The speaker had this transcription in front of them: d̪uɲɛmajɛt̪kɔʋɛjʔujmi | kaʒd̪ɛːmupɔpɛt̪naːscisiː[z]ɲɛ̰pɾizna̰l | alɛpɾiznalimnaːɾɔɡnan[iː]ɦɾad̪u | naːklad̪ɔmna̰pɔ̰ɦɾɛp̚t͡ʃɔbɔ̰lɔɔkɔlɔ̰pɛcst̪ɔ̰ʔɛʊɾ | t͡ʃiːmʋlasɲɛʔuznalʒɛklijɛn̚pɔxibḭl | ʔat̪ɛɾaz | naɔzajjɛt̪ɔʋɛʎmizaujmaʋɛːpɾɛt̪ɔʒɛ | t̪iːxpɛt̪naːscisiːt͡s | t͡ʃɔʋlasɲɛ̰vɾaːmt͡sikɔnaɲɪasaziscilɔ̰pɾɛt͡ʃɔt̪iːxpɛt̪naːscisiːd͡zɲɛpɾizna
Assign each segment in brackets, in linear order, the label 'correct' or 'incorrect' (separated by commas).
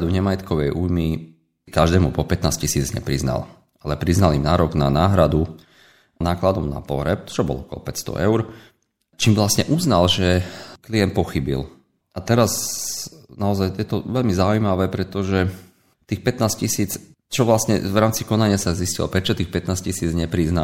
incorrect, incorrect